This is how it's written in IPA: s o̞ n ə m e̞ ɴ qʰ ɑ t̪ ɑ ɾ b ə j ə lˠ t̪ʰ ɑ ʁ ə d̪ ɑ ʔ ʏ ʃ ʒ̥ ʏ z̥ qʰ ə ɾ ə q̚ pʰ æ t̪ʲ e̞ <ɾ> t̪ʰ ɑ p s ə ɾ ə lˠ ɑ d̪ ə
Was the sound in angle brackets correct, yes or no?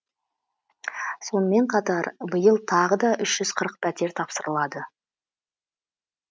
yes